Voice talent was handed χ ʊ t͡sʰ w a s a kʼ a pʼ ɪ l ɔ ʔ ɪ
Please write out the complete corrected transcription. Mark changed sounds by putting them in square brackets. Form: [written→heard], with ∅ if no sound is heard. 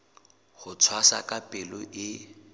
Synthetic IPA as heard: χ ʊ t͡sʰ w a s a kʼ a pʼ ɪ l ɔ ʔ ɪ